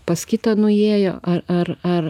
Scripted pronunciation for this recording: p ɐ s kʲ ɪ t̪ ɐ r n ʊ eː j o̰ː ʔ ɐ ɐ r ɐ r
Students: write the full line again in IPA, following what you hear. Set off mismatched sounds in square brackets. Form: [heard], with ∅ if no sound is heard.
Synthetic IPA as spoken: p ɐ s kʲ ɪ t̪ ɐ [∅] n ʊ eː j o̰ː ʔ ɐ ɐ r ɐ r